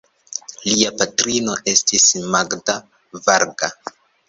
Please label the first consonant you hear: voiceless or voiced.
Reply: voiced